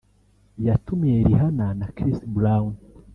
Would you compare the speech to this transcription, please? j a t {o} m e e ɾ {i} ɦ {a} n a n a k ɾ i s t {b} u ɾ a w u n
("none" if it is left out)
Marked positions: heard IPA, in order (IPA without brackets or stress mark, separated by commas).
u, i, a, b